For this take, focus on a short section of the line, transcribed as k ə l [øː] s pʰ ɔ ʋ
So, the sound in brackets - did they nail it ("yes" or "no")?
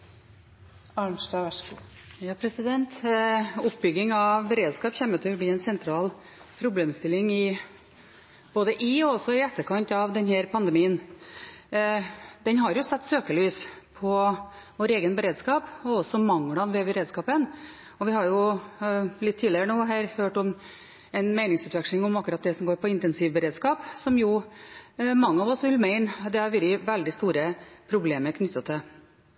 no